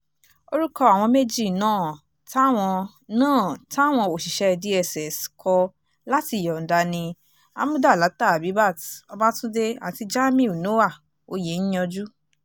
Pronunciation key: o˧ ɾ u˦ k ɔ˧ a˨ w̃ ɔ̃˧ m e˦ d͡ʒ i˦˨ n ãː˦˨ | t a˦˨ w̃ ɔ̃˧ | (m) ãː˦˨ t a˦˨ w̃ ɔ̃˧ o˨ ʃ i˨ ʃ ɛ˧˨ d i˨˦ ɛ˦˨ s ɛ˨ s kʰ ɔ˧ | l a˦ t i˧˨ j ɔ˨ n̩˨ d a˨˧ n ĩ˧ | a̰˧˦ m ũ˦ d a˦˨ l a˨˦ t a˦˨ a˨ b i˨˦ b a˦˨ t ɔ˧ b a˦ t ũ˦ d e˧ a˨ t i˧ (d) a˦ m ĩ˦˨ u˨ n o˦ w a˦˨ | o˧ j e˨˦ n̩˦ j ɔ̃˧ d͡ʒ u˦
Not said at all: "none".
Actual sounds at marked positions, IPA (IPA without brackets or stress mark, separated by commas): n, d͡ʒ